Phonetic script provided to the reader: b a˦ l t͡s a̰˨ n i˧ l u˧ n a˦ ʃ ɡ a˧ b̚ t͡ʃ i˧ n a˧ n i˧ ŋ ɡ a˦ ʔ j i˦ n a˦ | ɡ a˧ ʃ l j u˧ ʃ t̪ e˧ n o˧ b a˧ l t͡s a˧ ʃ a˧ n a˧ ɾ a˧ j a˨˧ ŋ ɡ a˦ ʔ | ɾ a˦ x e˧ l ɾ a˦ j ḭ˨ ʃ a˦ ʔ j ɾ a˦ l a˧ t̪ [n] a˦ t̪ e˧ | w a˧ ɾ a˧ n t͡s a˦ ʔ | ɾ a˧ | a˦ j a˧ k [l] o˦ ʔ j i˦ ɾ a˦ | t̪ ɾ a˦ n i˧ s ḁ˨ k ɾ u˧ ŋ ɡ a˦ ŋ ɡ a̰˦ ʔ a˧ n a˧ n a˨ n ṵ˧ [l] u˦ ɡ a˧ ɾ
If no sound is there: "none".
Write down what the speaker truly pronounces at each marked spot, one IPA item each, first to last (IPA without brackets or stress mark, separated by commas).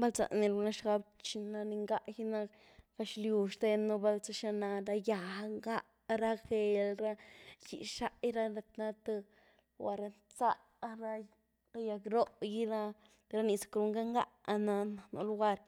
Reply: n, ɾ, l